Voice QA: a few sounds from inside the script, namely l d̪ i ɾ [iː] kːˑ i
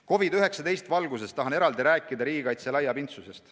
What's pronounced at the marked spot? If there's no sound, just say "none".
æː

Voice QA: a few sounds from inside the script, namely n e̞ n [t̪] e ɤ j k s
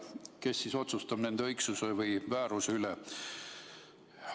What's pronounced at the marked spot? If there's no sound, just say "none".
d̪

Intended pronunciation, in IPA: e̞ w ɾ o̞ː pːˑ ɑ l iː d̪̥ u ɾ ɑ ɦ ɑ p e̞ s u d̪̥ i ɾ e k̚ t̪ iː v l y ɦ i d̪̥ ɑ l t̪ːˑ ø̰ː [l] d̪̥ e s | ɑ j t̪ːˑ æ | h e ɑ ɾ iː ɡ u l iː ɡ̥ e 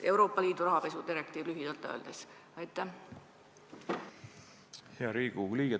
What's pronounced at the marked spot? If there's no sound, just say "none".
l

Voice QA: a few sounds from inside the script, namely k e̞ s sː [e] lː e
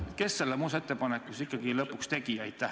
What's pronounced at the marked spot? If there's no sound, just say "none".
e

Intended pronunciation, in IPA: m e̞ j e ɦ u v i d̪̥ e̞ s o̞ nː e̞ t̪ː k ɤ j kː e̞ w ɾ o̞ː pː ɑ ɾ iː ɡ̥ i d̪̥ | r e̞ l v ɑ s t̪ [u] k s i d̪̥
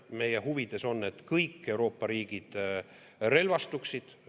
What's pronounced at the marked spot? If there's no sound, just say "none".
u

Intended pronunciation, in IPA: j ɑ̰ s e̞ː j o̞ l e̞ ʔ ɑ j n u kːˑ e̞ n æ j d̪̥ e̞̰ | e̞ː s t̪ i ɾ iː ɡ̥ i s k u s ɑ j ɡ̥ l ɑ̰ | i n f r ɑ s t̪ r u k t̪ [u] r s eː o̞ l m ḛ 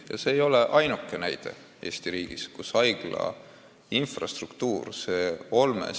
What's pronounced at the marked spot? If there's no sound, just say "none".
uː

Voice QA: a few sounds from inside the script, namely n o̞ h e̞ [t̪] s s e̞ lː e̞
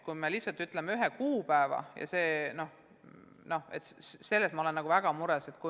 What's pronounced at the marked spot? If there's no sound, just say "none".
t̪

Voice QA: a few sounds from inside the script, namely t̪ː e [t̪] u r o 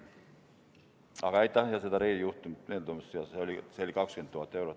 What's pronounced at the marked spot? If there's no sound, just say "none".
none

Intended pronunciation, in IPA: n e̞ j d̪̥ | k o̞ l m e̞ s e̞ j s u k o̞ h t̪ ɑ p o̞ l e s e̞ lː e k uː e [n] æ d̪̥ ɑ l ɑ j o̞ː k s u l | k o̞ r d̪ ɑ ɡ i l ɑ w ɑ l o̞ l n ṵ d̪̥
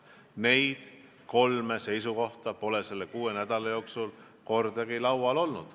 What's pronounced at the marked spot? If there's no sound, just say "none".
n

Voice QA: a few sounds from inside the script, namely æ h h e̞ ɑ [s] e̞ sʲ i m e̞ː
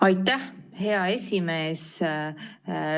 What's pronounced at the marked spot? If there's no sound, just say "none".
none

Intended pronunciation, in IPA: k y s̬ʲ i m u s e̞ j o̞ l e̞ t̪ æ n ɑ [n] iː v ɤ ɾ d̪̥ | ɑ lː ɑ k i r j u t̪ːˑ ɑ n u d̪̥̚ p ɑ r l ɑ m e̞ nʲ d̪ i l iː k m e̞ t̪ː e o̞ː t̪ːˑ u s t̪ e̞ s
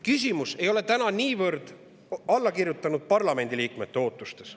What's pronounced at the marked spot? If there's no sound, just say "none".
n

